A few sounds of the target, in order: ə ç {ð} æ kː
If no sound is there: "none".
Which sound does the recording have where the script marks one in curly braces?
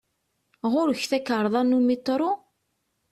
θ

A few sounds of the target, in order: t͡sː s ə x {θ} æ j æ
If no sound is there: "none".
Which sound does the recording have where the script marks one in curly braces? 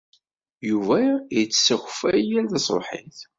f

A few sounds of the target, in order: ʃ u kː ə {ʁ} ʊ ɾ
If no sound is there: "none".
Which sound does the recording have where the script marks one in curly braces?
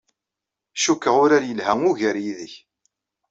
ʁ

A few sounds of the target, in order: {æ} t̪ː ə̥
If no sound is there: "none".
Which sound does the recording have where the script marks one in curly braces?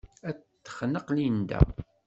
æ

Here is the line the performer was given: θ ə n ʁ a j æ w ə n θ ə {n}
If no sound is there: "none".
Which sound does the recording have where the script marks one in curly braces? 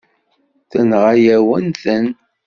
n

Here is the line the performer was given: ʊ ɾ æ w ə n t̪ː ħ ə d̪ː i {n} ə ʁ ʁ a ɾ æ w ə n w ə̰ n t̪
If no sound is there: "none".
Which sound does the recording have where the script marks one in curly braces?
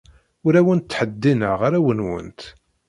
n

